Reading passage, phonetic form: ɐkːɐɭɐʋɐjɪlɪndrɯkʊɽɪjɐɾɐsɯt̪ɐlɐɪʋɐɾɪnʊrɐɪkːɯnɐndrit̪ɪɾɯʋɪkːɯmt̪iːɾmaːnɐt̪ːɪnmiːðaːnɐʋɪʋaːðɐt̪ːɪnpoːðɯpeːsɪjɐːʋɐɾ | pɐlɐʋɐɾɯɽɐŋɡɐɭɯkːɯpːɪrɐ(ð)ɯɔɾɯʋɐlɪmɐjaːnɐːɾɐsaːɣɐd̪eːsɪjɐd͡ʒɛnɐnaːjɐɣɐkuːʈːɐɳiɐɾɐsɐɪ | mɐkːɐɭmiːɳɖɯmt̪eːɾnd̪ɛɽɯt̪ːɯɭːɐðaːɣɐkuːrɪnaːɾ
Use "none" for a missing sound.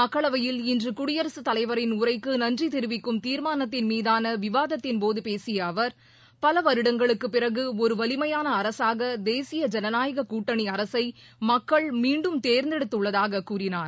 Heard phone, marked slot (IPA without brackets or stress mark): ɣ